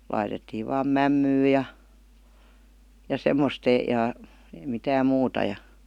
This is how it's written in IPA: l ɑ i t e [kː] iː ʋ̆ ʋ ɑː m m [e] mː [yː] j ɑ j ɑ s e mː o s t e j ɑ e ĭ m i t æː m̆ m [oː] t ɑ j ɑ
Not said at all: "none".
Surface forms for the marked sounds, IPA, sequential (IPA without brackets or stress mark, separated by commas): tː, æ, yː, uː